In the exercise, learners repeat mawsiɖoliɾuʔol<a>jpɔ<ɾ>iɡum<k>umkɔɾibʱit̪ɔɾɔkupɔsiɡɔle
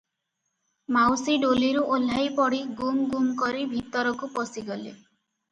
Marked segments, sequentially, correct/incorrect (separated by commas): correct, incorrect, incorrect